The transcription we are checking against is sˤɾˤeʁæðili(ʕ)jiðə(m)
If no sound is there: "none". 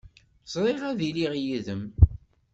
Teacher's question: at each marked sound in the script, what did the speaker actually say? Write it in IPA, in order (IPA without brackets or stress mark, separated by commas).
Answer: ʁ, m